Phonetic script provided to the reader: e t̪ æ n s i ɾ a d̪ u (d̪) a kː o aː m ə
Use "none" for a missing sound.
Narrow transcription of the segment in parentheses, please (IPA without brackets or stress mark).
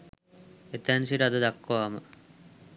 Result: d̪